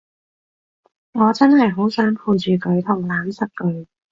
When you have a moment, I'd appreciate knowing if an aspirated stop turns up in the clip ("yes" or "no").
yes